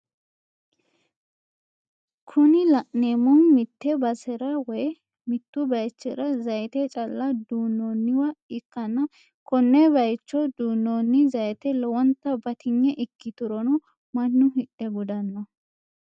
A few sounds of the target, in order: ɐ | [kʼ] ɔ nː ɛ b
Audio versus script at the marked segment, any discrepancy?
yes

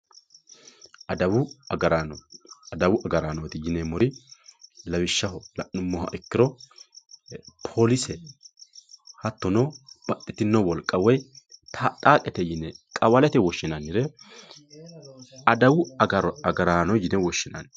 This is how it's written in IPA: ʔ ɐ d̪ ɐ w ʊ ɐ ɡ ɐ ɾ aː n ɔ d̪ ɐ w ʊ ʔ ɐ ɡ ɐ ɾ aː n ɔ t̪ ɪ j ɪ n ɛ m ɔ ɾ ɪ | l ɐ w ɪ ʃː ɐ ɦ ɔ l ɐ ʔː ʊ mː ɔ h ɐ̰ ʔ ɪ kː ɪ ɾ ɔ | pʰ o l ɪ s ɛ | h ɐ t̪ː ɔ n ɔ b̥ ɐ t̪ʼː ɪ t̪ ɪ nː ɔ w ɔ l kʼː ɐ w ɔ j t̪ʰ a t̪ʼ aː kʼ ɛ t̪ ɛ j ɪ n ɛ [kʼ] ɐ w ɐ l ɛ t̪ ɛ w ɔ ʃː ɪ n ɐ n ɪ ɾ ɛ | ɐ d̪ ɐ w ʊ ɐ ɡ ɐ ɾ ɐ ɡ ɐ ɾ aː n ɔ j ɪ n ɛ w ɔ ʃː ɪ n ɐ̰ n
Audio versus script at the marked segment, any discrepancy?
no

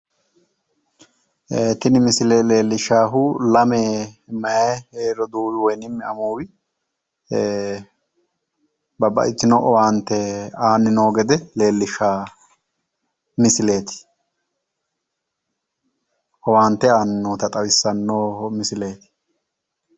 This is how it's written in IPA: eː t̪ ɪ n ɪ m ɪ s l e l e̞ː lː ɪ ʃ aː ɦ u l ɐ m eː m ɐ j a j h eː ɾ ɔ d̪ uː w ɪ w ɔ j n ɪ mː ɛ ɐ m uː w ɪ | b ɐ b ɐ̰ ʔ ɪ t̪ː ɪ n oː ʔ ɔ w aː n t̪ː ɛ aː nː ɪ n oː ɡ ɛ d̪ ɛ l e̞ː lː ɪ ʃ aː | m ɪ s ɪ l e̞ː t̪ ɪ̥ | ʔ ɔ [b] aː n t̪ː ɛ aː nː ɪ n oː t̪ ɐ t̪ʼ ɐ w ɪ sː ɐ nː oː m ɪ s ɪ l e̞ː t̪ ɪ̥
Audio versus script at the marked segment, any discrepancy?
yes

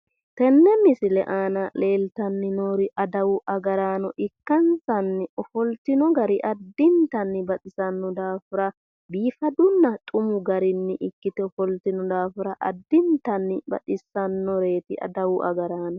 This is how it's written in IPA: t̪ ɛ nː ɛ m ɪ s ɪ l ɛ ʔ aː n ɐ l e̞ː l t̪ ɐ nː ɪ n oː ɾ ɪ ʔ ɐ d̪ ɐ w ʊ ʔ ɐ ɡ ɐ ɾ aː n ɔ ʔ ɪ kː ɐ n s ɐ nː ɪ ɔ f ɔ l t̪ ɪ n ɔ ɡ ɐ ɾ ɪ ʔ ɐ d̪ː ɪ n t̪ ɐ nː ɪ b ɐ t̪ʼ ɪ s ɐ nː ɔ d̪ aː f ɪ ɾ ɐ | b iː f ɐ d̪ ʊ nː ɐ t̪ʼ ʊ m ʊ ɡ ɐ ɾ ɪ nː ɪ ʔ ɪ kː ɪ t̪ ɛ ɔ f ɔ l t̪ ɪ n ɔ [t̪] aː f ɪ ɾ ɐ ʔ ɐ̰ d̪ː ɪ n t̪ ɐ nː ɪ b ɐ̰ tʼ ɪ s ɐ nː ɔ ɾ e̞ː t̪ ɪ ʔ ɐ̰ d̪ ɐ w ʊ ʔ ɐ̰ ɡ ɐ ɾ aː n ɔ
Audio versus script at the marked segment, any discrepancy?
yes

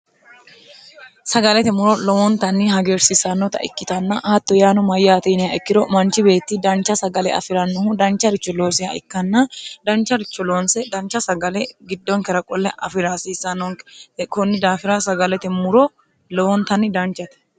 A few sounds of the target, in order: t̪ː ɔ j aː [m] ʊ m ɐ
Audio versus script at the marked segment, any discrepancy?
yes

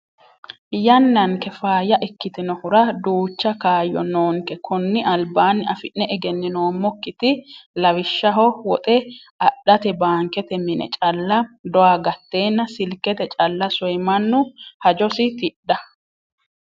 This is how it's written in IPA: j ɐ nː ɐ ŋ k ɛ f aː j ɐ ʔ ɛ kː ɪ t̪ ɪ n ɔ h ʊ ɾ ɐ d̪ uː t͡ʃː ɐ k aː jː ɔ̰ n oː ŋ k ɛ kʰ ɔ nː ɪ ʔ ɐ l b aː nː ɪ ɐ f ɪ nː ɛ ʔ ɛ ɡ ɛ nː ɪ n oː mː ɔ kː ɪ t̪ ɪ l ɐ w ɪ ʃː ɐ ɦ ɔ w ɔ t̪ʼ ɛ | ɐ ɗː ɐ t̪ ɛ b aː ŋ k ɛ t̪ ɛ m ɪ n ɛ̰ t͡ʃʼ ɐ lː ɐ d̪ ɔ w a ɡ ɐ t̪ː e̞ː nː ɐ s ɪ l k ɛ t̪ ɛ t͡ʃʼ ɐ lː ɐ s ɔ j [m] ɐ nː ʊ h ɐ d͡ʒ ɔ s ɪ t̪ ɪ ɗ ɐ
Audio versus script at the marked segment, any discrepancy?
no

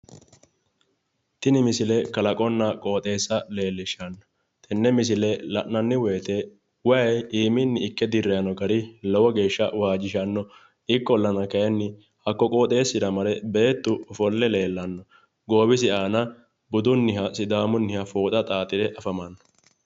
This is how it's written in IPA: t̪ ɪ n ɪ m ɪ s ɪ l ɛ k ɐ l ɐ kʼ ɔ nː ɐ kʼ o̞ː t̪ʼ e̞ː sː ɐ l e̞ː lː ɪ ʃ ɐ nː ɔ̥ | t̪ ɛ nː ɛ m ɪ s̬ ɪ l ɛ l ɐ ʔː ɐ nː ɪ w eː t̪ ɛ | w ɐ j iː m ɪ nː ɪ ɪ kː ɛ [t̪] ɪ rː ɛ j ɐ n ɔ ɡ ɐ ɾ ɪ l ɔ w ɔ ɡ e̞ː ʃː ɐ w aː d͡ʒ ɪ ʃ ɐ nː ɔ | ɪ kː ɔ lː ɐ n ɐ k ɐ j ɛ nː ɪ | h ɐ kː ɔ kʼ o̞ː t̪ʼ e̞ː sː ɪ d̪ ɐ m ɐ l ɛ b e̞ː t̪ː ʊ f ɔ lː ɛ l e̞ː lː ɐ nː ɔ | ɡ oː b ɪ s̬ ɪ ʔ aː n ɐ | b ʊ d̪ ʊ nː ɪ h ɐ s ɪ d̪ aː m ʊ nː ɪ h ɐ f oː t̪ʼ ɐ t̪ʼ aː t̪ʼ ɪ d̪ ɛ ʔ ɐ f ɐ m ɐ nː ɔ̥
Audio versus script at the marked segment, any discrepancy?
yes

